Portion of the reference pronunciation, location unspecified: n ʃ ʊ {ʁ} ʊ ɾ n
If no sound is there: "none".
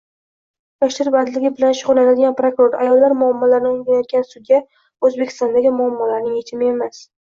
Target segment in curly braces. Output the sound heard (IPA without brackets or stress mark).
ʁ